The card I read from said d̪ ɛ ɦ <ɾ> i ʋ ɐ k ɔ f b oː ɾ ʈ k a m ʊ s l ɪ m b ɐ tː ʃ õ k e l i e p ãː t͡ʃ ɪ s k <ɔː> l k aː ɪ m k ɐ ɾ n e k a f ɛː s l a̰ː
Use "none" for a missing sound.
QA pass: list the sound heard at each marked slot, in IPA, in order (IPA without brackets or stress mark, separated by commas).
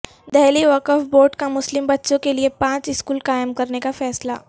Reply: l, uː